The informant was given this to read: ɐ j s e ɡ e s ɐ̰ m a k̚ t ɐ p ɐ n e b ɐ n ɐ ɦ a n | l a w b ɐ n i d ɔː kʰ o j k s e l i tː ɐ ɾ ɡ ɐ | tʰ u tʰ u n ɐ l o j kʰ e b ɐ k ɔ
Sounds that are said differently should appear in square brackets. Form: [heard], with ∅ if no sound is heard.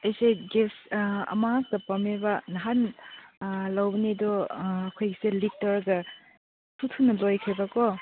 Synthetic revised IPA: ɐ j s e ɡ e s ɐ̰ m a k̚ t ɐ p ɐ [m] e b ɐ n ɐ ɦ a n | l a w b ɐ n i d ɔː kʰ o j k s e l i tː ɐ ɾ ɡ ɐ | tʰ u tʰ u n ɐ l o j kʰ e b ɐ k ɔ